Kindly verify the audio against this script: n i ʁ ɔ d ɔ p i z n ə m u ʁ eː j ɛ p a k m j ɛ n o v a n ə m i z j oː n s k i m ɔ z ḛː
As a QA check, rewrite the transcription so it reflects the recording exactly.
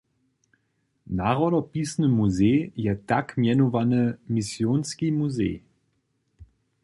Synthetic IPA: n a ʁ ɔ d ɔ p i s n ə m u z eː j ɛ t a k m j ɛ n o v a n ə m i s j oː n s k i m u z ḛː